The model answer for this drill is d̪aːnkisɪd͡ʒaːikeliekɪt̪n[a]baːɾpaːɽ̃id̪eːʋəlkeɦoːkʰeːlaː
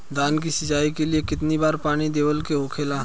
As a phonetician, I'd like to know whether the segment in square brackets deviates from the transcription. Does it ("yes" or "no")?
yes